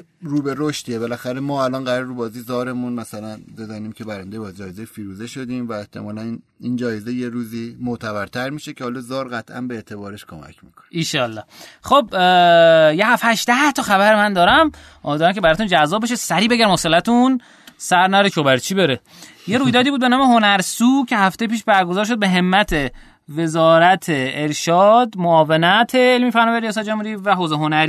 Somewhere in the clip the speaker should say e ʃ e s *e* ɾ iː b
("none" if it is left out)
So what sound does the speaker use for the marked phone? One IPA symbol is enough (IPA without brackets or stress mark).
æ